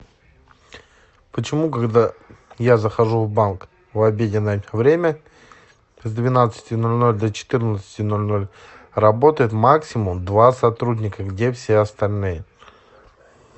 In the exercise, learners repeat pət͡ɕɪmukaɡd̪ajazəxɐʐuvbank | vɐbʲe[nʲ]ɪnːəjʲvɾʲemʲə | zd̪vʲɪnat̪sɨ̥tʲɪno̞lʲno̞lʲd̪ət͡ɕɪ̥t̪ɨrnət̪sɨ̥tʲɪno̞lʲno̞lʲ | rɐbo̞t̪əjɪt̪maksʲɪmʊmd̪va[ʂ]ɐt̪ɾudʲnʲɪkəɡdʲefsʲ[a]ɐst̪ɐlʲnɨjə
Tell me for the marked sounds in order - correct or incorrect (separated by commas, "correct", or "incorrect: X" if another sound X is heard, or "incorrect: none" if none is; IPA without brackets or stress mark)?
incorrect: dʲ, incorrect: s, incorrect: e